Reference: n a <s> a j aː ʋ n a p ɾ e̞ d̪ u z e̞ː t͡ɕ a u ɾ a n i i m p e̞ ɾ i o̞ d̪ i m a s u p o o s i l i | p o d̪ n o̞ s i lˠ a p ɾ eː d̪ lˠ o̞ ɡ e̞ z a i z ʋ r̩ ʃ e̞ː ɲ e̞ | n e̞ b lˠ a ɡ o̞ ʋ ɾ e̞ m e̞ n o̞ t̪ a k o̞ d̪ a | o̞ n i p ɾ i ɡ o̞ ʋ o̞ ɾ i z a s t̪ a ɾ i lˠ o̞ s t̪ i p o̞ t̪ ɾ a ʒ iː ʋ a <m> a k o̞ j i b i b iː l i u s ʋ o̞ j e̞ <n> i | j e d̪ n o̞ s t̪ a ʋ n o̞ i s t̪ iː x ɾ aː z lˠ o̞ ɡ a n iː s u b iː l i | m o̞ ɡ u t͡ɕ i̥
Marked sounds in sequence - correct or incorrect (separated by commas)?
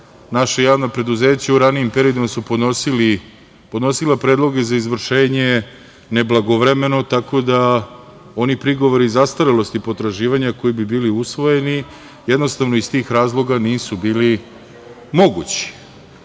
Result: incorrect, incorrect, correct